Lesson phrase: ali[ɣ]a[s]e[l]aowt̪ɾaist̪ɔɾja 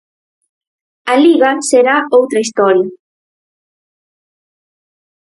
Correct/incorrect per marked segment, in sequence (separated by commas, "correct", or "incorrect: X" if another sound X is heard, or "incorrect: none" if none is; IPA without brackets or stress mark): correct, correct, incorrect: ɾ